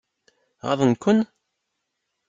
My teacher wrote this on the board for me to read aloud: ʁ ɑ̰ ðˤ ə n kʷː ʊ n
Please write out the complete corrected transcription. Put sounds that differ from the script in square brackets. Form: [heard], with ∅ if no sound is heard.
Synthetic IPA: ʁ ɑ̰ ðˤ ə n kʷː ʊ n